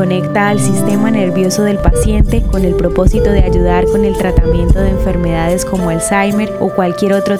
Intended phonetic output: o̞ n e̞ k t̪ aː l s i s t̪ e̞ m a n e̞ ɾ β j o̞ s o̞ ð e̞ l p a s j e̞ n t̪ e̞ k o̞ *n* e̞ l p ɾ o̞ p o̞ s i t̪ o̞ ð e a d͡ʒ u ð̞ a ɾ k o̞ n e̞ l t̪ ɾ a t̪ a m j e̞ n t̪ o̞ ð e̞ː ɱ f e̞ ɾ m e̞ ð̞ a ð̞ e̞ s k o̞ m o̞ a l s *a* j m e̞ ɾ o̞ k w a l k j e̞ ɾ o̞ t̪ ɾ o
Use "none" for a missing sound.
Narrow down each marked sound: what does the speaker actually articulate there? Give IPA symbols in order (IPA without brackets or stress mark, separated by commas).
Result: n, a